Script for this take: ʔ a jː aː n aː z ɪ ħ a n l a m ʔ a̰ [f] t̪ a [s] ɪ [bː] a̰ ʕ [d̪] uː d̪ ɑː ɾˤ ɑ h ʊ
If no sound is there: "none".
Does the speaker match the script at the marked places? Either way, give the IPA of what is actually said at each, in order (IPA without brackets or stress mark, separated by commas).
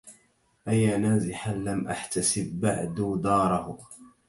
ħ, s, bː, d̪